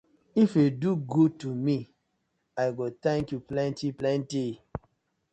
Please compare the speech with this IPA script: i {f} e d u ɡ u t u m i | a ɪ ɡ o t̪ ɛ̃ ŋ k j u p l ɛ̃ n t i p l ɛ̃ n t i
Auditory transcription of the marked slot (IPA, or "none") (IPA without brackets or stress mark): f